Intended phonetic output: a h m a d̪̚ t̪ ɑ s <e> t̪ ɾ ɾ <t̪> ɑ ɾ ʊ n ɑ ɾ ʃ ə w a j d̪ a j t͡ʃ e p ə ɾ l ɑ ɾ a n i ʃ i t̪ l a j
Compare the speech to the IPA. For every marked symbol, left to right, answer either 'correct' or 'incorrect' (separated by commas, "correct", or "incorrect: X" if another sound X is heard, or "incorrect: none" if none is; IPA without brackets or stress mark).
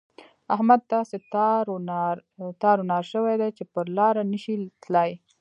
correct, correct